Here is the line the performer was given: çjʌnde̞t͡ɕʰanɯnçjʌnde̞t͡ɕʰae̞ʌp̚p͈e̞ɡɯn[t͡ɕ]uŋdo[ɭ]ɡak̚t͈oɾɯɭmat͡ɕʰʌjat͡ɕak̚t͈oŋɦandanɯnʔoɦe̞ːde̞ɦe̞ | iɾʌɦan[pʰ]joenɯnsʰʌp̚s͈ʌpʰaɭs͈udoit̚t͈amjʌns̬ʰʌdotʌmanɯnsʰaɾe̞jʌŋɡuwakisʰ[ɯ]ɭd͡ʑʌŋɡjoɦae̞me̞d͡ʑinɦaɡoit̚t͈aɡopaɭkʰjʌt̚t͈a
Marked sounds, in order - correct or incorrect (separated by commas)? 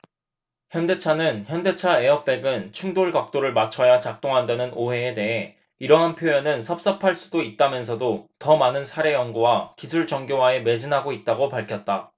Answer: incorrect, correct, correct, incorrect